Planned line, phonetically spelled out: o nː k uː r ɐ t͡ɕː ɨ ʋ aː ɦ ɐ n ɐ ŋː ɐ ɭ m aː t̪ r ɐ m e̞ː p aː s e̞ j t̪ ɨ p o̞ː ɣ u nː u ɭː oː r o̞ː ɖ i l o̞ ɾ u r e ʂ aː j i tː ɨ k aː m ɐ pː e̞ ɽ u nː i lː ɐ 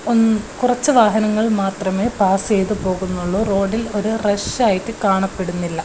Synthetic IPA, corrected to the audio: o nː k u r ɐ t͡ɕː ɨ ʋ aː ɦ ɐ n ɐ ŋː ɐ ɭ m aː t̪ r ɐ m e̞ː p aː s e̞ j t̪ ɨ p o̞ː ɣ u nː u ɭː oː r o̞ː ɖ i l o̞ ɾ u r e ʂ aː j i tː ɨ k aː ɳ ɐ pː e̞ ɽ u nː i lː ɐ